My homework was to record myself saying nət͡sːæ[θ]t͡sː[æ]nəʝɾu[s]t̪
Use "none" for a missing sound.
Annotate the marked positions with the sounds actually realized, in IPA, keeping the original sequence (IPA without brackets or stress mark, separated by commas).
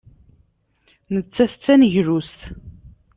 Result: θ, æ, s